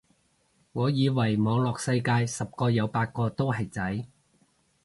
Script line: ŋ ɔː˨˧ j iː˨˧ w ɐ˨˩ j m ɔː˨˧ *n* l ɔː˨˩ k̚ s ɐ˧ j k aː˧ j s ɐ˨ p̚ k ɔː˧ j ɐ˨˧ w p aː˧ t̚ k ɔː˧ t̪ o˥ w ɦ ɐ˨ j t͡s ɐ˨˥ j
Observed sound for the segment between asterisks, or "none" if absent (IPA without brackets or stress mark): ŋ